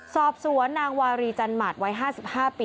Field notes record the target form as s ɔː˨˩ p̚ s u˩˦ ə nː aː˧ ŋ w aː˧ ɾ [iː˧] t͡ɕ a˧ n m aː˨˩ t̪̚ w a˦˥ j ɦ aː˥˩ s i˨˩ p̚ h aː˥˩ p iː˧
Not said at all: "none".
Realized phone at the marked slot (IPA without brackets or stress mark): iː˧